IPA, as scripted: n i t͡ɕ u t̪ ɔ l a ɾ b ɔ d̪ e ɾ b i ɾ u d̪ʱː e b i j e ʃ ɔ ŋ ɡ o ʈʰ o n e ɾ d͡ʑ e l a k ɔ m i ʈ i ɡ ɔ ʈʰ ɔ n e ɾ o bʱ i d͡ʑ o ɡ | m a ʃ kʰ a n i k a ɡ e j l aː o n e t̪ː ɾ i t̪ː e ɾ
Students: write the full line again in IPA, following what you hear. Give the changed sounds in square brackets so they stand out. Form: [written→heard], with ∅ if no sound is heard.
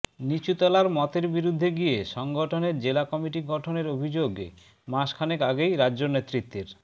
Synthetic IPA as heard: n i t͡ɕ u t̪ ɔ l a ɾ [b→m] ɔ [d̪→t̪] e ɾ b i ɾ u d̪ʱː e [b→ɡ] i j e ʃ ɔ ŋ ɡ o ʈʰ o n e ɾ d͡ʑ e l a k ɔ m i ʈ i ɡ ɔ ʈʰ [ɔ→o] n e ɾ o bʱ i d͡ʑ o ɡ | m a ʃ kʰ a n [i→e] k a ɡ e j [l→ɾ] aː o n e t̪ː ɾ i t̪ː e ɾ